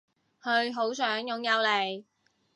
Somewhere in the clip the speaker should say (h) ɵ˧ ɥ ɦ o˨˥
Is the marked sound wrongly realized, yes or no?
no